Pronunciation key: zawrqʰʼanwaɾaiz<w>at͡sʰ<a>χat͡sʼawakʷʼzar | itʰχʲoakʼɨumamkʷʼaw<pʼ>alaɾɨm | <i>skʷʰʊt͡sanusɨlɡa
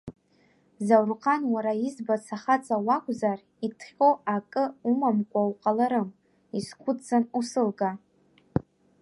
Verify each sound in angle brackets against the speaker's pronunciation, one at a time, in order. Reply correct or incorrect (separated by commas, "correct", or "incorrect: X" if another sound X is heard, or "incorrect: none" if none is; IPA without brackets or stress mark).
incorrect: b, correct, incorrect: qʼ, correct